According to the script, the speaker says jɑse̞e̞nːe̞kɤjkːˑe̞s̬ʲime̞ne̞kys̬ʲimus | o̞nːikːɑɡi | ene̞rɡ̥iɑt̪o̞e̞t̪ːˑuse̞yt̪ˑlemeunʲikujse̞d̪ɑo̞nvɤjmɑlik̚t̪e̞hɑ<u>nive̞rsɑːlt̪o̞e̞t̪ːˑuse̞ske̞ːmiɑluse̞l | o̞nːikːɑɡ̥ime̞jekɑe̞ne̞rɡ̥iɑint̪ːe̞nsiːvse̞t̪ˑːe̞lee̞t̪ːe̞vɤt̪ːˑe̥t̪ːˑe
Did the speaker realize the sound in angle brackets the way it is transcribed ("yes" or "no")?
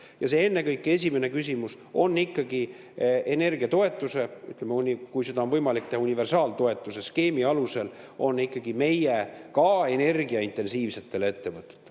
yes